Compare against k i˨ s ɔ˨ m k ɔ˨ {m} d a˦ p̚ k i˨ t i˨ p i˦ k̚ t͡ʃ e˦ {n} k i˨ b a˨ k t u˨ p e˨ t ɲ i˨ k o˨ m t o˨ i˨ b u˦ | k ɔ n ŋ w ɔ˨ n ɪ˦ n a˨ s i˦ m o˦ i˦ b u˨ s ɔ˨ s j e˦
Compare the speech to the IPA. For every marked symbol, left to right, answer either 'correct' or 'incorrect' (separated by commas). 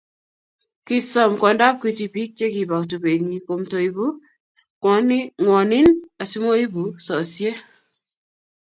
incorrect, incorrect